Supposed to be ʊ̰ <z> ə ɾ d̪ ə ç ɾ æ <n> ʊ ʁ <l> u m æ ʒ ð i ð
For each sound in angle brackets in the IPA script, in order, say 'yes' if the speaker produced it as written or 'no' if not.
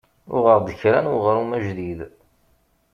no, yes, no

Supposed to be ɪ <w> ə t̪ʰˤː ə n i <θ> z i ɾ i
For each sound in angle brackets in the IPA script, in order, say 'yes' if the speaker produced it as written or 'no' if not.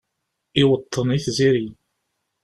yes, yes

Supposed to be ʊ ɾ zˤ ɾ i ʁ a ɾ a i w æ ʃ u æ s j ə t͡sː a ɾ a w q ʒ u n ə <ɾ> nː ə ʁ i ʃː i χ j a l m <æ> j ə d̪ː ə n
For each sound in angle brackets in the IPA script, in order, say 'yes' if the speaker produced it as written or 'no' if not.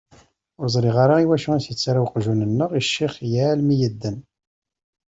no, no

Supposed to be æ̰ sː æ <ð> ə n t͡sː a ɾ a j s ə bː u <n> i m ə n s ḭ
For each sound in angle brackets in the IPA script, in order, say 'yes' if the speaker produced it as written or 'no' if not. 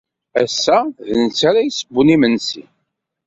yes, yes

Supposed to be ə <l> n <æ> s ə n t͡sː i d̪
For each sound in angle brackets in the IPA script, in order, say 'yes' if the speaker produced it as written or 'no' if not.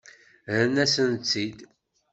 no, yes

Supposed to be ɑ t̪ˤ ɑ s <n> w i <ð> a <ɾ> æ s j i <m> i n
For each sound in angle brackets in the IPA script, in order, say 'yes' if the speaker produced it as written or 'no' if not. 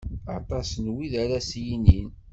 yes, yes, yes, no

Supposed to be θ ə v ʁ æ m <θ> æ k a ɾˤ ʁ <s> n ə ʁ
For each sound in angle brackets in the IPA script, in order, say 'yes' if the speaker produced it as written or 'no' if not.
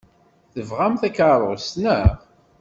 yes, yes

